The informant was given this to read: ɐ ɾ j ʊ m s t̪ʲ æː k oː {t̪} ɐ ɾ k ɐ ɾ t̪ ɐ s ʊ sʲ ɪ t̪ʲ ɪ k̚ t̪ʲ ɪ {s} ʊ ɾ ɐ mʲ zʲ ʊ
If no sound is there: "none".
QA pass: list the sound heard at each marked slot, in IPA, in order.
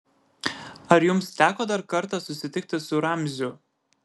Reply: d̪, s

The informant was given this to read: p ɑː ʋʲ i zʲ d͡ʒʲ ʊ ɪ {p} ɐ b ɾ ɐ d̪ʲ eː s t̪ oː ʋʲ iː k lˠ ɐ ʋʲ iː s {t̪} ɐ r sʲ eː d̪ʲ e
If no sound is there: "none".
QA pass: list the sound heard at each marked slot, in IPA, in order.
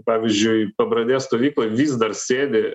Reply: p, d̪

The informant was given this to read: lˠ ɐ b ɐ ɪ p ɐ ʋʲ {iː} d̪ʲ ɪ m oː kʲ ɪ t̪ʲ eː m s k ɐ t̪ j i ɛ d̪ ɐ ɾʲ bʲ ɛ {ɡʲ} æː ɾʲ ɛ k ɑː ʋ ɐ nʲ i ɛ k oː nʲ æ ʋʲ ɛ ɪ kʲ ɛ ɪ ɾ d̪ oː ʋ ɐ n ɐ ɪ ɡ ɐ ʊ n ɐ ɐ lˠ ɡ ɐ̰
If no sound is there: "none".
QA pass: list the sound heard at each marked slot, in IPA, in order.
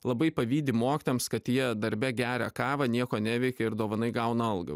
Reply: iː, ɡʲ

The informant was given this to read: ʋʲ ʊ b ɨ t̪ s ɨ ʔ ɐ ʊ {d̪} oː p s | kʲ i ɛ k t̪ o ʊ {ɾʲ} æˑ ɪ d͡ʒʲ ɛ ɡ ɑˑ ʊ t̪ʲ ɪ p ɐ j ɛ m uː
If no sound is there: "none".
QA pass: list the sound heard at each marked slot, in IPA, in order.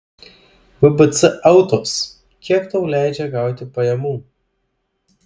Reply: t̪, lʲ

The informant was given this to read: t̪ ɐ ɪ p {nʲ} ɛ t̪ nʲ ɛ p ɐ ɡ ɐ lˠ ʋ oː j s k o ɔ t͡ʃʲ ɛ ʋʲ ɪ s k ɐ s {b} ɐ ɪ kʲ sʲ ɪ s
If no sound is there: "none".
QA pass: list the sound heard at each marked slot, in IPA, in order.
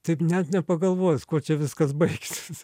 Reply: nʲ, b

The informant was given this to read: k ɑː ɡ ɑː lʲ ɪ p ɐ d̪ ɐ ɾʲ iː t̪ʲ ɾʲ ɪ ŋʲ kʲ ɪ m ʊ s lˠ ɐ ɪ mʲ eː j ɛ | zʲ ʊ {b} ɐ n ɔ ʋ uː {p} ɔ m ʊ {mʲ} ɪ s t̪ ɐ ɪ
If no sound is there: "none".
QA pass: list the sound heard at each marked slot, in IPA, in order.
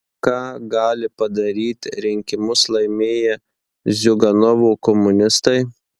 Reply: ɡ, k, nʲ

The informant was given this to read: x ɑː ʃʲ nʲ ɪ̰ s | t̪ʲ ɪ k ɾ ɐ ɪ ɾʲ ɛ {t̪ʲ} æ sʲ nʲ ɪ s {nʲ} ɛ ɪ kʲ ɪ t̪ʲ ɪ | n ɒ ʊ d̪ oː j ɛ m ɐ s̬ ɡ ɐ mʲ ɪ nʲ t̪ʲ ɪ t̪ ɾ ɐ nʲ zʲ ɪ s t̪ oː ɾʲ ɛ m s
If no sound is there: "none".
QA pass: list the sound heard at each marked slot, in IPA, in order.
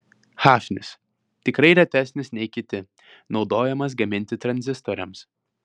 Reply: t̪ʲ, nʲ

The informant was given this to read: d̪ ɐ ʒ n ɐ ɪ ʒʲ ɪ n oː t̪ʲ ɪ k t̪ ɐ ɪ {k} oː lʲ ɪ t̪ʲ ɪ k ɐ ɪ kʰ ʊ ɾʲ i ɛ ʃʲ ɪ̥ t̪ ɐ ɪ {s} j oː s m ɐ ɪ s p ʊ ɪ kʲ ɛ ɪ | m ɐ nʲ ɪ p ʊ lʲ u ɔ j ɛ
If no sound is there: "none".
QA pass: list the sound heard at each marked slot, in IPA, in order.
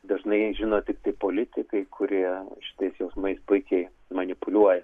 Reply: p, s

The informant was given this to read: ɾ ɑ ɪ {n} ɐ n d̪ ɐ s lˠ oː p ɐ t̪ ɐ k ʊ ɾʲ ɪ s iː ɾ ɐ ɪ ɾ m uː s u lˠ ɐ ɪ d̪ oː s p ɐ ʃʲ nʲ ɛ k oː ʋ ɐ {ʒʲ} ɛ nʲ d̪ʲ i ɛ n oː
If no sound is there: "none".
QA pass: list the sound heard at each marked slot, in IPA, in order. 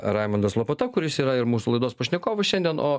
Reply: m, ʃʲ

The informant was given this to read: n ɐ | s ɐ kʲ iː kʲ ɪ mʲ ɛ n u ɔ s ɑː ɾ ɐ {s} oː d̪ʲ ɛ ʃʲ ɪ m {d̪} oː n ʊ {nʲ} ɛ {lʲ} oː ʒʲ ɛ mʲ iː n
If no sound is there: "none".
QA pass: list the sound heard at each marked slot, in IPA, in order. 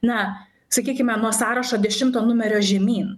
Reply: ʃ, t̪, mʲ, ɾʲ

